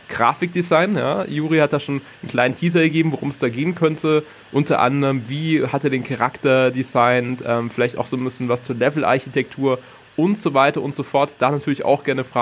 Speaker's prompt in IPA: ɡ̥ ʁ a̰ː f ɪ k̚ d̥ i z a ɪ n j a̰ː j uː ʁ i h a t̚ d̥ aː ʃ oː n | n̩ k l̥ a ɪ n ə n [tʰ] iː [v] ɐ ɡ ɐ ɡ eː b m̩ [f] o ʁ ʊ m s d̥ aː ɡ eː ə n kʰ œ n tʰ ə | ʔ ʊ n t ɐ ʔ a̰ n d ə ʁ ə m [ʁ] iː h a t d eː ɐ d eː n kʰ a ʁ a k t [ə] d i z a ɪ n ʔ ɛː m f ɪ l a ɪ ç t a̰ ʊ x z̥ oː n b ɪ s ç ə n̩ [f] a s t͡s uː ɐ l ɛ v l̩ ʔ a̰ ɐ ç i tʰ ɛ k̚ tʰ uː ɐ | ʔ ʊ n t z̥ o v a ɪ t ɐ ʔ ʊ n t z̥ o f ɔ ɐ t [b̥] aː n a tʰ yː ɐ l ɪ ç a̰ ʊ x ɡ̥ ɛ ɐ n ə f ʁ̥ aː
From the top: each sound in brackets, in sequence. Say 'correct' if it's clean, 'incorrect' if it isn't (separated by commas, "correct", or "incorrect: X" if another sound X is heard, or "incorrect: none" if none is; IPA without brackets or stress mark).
correct, incorrect: z, incorrect: v, incorrect: v, incorrect: ɐ, incorrect: v, incorrect: d̥